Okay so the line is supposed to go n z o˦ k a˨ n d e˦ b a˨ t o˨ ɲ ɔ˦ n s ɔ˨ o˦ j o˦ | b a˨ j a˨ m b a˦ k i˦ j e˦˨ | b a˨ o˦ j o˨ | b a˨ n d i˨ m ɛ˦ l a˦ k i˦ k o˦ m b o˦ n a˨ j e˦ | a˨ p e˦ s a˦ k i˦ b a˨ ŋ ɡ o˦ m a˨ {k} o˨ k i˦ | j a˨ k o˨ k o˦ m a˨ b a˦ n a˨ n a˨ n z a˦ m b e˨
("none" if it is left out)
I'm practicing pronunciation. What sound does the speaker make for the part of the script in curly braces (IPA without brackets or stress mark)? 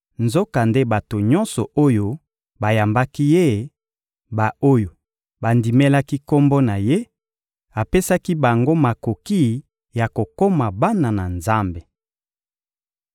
k